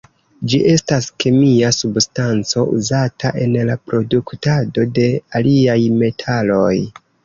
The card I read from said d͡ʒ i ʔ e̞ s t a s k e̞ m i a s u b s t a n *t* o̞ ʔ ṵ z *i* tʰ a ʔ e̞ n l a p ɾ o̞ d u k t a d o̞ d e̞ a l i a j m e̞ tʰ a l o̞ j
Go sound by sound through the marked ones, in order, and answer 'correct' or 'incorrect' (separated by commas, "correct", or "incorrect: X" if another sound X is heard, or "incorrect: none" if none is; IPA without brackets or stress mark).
incorrect: t͡s, incorrect: a